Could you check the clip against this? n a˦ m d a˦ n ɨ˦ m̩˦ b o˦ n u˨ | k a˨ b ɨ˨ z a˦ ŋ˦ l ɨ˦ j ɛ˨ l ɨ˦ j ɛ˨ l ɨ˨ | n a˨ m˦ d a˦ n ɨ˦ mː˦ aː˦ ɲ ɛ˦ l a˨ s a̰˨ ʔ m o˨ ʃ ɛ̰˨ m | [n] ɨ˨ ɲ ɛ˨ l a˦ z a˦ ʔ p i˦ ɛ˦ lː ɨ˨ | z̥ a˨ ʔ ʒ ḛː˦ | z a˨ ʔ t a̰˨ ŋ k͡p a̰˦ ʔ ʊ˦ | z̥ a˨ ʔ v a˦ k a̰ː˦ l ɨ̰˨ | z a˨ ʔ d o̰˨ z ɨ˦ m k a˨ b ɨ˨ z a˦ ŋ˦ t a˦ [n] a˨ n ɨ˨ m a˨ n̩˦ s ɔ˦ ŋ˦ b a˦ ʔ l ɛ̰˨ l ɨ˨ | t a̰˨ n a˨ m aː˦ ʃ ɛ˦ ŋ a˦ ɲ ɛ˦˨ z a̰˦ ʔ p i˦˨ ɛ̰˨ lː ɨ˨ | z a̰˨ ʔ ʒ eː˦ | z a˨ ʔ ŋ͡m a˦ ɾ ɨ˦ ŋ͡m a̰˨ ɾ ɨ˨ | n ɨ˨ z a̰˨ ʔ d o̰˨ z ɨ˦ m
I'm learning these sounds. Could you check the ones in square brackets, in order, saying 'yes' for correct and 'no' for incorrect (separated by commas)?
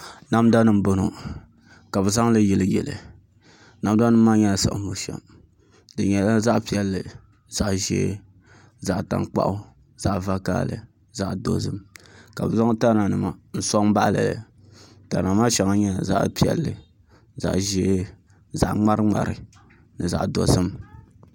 no, yes